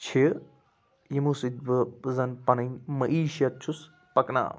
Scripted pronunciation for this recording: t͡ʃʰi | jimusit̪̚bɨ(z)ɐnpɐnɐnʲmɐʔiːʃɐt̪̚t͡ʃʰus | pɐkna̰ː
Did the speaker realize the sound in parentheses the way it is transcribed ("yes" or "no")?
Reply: yes